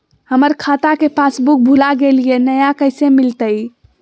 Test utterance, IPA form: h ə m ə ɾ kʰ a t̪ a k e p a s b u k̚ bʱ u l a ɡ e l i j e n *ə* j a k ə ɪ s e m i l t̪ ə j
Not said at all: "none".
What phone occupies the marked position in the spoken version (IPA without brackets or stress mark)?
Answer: ə